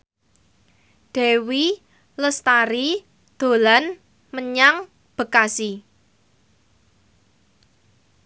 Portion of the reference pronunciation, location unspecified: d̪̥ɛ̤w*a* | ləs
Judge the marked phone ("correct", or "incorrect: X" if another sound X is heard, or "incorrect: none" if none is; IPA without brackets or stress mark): incorrect: i